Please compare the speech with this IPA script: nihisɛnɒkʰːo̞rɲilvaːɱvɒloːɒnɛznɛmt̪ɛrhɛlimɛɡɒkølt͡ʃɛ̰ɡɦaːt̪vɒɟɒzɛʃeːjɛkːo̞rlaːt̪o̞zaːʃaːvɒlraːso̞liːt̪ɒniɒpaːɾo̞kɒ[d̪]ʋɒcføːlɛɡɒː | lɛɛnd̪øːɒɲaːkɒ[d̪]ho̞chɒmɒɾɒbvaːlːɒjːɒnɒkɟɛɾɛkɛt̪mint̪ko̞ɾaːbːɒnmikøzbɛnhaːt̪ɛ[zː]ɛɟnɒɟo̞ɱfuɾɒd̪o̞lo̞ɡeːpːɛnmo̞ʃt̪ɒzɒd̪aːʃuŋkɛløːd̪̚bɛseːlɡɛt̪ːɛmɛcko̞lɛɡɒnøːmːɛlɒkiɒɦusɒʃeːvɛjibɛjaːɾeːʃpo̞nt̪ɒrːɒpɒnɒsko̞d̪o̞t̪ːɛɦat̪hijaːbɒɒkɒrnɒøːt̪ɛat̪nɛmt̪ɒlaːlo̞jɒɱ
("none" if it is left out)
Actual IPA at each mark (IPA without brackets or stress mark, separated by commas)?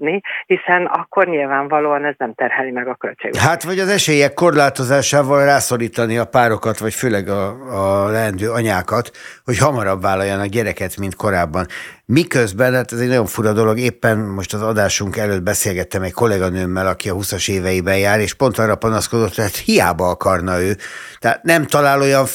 t̪, t̪, z